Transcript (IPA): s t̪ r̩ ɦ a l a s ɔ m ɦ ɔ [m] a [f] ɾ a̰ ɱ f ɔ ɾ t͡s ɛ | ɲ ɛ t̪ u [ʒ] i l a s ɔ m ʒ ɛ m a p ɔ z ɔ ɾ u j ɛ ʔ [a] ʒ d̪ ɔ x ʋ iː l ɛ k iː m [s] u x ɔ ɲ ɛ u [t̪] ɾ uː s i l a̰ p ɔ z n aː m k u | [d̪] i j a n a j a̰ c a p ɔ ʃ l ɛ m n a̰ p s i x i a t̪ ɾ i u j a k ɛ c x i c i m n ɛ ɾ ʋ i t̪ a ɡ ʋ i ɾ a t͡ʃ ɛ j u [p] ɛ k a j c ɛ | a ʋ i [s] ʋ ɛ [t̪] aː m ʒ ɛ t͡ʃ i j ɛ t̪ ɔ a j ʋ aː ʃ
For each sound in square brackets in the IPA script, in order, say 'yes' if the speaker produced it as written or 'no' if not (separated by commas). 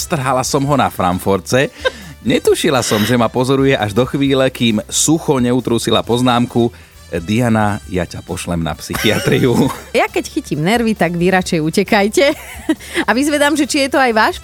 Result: no, yes, no, yes, yes, yes, yes, no, no, no